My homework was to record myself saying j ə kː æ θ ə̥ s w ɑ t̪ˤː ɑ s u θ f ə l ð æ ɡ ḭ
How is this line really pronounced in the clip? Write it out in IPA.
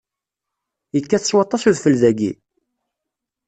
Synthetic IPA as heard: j ə kː æ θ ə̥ s w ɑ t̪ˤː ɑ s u ð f ə l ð æ ɡ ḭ